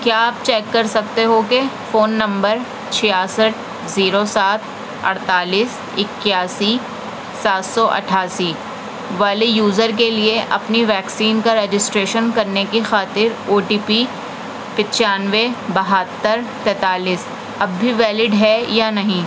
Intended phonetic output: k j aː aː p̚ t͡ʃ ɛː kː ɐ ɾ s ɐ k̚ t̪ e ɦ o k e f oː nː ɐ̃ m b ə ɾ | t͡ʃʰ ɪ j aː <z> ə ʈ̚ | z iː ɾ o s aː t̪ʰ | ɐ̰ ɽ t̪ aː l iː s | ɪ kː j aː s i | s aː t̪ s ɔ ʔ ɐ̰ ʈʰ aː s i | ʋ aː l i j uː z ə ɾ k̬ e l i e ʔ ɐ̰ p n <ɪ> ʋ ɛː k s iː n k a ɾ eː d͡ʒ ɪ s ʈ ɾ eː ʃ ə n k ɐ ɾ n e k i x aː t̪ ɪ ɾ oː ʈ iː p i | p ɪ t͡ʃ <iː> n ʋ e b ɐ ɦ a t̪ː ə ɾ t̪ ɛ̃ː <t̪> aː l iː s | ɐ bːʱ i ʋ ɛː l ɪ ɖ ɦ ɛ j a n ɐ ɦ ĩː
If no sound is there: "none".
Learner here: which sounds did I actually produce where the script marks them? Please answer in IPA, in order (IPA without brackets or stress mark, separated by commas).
s, i, aː, t̪